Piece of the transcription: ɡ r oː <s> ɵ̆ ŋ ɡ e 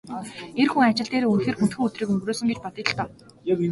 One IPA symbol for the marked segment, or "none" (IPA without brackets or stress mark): s